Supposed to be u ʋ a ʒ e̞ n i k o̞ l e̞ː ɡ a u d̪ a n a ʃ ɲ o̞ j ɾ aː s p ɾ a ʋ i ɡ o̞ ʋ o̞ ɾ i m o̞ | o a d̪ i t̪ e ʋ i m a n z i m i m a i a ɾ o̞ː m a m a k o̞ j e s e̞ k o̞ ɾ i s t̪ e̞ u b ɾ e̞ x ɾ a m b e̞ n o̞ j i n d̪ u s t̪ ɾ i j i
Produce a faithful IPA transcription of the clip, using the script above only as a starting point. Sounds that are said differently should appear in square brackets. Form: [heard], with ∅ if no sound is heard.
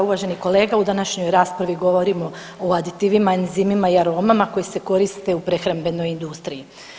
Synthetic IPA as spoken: u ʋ a ʒ e̞ n i k o̞ l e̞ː ɡ a u d̪ a n a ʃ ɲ o̞ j ɾ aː s p ɾ a ʋ i ɡ o̞ ʋ o̞ ɾ i m o̞ | o a d̪ i t̪ [i] ʋ i m a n z i m i m a i a ɾ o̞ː m a m a k o̞ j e s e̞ k o̞ ɾ i s t̪ e̞ u [p] ɾ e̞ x ɾ a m b e̞ n o̞ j i n d̪ u s t̪ ɾ i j i